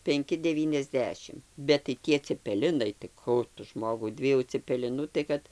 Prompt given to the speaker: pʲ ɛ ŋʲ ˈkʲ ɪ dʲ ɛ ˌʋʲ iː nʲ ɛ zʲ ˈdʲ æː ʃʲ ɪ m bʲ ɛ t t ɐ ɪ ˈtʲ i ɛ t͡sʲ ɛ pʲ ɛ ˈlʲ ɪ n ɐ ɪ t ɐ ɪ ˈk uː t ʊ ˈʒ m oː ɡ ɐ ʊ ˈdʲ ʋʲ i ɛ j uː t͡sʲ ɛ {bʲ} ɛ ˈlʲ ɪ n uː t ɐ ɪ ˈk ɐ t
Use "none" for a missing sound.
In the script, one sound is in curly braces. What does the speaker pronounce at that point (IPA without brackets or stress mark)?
pʲ